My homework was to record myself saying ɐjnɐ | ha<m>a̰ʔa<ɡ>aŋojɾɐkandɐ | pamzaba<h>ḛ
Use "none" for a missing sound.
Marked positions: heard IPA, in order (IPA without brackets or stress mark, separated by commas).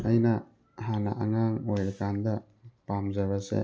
n, ŋ, s